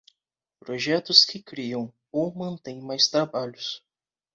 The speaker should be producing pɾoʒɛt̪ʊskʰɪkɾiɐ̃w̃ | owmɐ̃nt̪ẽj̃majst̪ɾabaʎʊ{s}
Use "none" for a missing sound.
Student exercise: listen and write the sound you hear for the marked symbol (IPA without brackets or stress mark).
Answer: s